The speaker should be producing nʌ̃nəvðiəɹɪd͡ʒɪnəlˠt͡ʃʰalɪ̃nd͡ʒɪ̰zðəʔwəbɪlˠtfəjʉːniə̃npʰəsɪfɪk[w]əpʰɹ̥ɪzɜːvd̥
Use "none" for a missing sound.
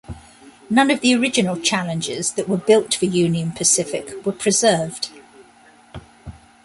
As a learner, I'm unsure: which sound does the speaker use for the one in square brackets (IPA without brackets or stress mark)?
w